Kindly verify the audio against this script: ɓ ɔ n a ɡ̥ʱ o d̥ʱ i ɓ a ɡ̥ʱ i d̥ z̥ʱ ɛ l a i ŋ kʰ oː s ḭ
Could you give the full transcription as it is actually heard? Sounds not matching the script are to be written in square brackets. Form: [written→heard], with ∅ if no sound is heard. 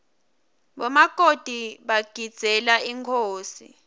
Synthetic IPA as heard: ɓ ɔ [n→m] a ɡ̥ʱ o d̥ʱ i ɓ a ɡ̥ʱ i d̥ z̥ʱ ɛ l a i ŋ kʰ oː s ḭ